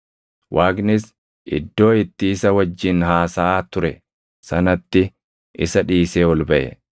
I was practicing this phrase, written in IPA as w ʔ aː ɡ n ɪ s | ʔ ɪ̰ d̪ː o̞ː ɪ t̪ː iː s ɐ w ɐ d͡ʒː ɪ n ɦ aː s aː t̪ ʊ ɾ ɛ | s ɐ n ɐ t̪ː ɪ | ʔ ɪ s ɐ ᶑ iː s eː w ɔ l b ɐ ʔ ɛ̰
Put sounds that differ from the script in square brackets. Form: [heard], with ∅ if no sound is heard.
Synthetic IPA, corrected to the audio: w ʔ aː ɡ n ɪ s | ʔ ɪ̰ d̪ː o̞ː ɪ t̪ː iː s ɐ w ɐ d͡ʒː ɪ n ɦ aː s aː t̪ ʊ ɾ ɛ | s ɐ n ɐ t̪ː ɪ | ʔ ɪ s ɐ ᶑ iː s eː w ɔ l b ɐ ʔ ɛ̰